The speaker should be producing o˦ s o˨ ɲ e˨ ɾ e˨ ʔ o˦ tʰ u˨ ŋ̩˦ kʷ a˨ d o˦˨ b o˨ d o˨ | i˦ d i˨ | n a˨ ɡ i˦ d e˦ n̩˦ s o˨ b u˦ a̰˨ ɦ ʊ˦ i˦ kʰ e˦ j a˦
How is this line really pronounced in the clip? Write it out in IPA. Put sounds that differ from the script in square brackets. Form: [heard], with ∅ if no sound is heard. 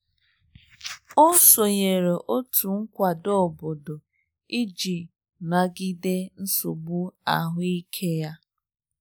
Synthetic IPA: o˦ s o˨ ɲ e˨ ɾ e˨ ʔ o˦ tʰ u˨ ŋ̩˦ kʷ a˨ d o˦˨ b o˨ d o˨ | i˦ [d͡ʒ] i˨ | n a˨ ɡ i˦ d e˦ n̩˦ s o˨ b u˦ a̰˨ ɦ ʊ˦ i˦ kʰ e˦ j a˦